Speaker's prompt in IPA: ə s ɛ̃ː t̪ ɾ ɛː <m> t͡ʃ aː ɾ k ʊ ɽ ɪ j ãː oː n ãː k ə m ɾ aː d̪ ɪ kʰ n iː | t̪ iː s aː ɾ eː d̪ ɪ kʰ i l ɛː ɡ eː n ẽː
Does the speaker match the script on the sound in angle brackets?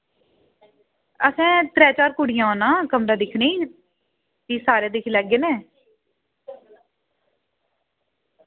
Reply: no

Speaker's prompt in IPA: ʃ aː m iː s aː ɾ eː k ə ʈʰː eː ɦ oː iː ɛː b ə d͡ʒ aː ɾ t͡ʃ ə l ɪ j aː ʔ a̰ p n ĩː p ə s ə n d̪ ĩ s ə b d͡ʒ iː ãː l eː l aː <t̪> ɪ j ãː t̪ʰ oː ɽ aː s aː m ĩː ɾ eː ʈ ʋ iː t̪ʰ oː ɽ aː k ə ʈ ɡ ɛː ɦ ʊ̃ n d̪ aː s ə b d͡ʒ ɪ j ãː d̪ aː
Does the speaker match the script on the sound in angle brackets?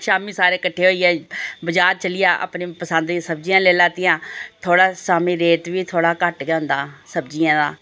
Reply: yes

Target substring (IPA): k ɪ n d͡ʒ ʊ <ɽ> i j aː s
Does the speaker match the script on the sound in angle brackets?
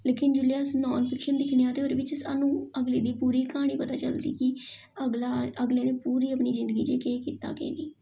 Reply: no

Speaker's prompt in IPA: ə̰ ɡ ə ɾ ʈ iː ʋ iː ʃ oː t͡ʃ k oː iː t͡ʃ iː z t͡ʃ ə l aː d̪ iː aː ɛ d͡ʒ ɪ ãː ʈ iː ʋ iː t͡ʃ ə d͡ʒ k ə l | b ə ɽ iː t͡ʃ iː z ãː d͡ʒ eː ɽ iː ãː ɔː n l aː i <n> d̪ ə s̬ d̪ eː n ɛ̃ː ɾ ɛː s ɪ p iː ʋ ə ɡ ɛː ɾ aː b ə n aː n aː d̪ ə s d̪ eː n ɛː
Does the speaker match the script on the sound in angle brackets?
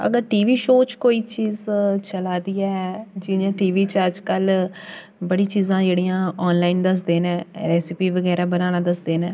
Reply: yes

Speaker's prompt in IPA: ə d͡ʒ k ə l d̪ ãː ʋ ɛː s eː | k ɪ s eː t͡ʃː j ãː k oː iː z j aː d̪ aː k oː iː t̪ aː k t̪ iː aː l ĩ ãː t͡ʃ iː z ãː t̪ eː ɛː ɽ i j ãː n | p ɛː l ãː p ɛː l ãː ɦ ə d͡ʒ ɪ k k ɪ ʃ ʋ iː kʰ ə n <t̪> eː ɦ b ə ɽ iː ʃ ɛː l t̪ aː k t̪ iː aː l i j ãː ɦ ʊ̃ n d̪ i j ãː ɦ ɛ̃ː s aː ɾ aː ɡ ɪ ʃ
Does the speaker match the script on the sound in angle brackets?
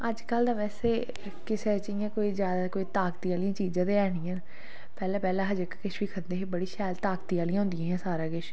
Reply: no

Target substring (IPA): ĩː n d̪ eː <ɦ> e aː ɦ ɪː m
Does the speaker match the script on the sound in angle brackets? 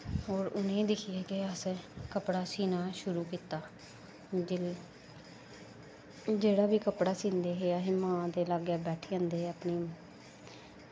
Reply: yes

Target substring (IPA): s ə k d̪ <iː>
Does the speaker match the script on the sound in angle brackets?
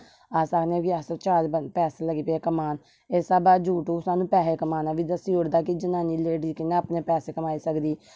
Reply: yes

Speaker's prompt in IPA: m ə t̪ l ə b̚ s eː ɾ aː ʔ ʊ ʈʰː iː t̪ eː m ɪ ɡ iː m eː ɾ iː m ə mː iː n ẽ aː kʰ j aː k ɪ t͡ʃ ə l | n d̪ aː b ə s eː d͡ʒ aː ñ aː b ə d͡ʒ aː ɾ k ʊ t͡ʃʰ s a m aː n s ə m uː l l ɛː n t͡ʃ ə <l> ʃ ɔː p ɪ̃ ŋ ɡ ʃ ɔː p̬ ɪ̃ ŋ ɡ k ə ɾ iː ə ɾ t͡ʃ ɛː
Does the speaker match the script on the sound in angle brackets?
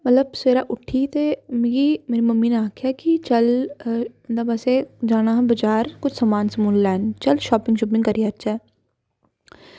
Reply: yes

